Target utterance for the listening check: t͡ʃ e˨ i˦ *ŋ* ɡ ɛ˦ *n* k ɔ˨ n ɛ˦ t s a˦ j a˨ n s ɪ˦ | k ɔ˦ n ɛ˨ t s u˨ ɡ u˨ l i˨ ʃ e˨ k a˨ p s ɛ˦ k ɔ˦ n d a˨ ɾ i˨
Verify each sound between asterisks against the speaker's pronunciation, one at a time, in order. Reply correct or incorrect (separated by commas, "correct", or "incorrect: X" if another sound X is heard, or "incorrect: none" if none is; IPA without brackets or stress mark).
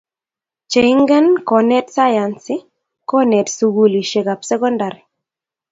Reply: correct, correct